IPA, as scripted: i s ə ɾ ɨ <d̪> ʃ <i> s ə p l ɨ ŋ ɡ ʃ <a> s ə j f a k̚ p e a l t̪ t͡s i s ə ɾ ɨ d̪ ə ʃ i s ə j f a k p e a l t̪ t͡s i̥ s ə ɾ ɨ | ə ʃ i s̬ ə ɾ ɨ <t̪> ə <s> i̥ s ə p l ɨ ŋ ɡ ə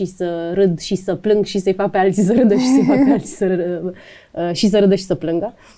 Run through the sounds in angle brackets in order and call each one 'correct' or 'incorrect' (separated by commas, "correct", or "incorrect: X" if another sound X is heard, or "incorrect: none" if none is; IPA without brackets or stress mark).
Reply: correct, correct, incorrect: i, incorrect: d̪, incorrect: ʃ